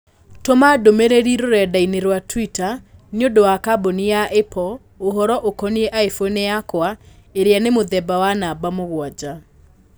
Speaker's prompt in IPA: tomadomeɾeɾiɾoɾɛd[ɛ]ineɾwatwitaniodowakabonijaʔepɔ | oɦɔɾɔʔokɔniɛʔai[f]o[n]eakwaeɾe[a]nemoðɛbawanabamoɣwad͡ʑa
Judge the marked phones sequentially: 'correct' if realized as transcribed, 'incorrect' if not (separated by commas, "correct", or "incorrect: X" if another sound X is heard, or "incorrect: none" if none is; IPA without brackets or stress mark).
incorrect: a, correct, correct, correct